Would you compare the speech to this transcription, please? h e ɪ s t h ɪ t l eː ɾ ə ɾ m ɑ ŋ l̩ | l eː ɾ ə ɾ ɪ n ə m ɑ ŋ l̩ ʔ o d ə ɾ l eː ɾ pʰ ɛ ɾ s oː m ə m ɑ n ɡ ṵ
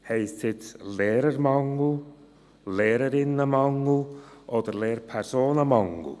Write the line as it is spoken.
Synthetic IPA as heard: h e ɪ s t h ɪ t l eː ɾ ə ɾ m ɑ ŋ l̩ | l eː ɾ ə ɾ ɪ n ə m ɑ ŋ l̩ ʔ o d ə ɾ l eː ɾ pʰ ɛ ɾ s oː n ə m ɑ ŋ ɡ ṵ